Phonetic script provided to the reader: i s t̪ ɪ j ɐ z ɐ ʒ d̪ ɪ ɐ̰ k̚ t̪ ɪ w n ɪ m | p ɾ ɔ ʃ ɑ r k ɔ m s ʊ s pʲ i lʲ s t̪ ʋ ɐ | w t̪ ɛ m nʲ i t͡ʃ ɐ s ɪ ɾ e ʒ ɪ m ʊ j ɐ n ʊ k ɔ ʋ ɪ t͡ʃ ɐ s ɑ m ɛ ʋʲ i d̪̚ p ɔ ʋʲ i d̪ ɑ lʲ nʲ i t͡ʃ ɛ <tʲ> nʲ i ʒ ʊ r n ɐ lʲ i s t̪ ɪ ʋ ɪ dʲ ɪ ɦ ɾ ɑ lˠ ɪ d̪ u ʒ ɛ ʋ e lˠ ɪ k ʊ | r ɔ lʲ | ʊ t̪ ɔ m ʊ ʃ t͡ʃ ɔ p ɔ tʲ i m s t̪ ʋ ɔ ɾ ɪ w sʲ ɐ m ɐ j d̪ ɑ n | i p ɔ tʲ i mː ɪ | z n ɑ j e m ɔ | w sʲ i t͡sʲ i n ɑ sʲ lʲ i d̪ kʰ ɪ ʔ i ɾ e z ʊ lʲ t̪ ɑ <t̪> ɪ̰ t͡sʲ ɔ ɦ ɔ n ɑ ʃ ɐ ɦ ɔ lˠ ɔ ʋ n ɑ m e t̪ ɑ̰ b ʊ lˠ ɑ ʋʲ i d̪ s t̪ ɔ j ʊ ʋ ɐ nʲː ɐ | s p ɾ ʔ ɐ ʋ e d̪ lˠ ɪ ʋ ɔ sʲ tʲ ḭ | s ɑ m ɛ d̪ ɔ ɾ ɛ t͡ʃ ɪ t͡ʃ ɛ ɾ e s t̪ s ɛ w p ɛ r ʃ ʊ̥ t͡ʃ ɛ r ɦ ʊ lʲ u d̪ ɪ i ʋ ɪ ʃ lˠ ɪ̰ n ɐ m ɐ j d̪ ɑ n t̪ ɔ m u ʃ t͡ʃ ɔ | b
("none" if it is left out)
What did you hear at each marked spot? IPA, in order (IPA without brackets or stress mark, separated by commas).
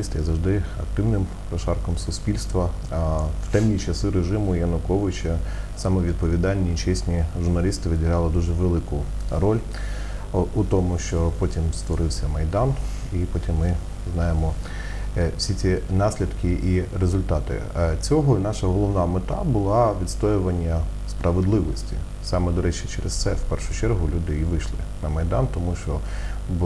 sʲ, t̪